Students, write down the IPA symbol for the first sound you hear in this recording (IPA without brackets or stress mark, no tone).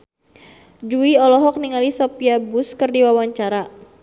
d͡ʒ